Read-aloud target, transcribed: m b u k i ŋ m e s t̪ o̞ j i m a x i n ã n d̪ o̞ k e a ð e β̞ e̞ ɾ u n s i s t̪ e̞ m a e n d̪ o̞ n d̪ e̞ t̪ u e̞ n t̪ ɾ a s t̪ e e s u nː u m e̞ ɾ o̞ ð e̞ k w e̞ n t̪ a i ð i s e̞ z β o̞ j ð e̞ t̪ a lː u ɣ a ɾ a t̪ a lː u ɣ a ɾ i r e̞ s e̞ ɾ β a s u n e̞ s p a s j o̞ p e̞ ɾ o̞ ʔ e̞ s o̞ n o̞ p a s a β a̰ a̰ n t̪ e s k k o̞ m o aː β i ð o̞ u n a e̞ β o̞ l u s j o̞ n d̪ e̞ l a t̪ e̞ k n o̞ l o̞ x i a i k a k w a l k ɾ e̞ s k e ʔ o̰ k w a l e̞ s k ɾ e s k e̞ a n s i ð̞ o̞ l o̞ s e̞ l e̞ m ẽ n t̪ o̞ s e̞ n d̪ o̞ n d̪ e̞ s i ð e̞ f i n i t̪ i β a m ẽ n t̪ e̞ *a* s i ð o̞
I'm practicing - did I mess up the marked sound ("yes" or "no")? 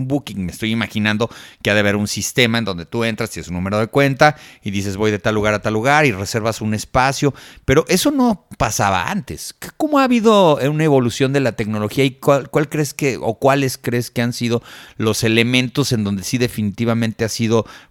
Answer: no